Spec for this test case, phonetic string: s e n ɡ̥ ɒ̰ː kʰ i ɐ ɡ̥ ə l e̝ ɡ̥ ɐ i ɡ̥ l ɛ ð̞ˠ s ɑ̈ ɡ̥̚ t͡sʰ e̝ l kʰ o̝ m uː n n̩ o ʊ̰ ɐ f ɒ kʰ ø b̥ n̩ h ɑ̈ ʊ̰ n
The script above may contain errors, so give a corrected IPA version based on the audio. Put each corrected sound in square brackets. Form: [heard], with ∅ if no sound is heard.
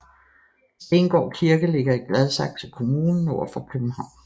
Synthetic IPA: s e n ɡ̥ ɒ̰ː kʰ i ɐ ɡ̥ ə l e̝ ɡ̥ ɐ i ɡ̥ l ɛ ð̞ˠ s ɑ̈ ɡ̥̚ t͡sʰ e̝ l kʰ o̝ m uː n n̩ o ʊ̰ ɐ f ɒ kʰ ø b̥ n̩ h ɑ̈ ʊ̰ n